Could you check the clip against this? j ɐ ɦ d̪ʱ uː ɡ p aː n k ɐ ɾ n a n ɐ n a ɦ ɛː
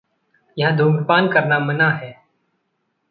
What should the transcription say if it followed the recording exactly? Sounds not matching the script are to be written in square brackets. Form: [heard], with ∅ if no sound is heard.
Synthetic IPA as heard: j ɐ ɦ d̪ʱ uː ɡ p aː n k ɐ ɾ n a [m] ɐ n a ɦ ɛː